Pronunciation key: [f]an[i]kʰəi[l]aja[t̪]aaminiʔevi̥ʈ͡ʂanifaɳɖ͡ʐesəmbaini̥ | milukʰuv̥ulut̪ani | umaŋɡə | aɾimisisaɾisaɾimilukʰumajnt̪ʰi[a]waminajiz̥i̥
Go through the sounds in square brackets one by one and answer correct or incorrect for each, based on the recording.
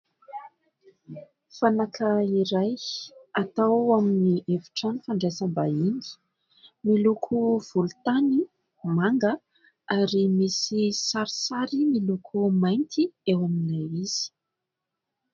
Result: correct, incorrect: a, incorrect: ɾ, correct, incorrect: e

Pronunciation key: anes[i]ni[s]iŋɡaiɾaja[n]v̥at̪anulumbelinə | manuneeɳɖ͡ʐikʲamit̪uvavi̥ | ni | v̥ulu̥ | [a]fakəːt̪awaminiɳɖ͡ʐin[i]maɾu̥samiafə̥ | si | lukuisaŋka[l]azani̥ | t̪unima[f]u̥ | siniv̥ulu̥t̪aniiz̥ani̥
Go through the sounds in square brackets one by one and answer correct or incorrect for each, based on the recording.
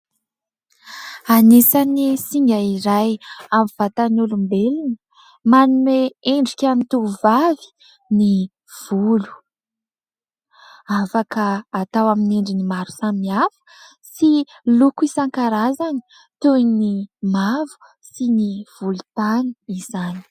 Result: incorrect: a, correct, incorrect: m, correct, correct, incorrect: ɾ, incorrect: v

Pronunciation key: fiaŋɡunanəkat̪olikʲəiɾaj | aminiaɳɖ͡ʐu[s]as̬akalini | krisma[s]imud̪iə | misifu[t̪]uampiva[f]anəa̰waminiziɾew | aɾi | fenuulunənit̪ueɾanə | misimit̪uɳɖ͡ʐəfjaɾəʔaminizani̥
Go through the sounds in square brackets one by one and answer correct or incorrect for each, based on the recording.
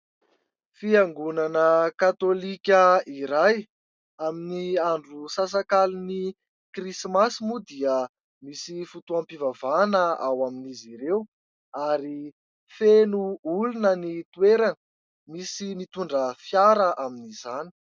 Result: correct, correct, correct, incorrect: v

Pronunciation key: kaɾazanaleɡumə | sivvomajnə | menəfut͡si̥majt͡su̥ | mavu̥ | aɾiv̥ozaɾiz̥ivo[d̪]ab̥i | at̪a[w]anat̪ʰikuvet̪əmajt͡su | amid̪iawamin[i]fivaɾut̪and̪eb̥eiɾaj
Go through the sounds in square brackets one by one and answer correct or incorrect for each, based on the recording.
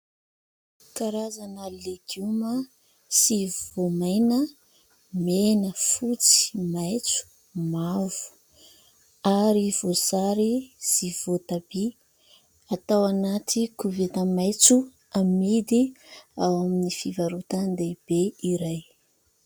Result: incorrect: t̪, correct, correct

